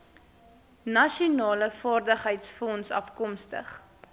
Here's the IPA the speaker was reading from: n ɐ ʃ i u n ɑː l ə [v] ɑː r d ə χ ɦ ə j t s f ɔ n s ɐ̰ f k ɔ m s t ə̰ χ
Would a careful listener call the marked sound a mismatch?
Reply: yes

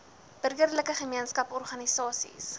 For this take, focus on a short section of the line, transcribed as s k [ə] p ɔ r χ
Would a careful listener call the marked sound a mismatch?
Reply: yes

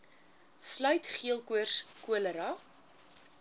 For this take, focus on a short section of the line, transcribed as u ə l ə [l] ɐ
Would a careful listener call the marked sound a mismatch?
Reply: yes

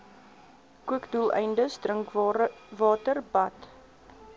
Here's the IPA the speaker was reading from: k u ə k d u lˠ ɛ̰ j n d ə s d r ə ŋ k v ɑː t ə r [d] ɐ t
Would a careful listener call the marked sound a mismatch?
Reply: yes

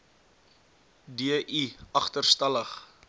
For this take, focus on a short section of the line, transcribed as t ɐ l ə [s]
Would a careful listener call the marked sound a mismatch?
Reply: yes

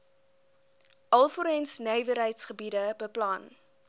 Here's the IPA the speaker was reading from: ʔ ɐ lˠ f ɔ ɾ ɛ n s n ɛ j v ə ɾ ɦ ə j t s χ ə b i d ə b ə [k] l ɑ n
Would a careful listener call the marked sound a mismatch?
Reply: yes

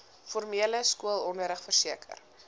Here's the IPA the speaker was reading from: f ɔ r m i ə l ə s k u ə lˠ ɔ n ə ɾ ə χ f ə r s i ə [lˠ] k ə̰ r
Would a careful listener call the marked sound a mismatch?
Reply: yes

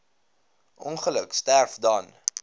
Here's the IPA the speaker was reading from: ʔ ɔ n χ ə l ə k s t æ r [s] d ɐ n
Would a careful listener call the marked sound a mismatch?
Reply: yes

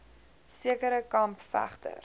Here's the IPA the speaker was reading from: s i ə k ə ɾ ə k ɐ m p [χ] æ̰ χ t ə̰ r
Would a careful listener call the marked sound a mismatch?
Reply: yes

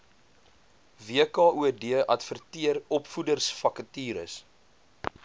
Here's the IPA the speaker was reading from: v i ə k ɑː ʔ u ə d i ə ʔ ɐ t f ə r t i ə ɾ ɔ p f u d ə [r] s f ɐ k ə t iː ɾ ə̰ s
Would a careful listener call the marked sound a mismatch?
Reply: no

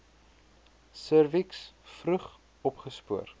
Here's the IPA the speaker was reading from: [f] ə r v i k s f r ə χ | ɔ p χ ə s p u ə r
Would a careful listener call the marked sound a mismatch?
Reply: yes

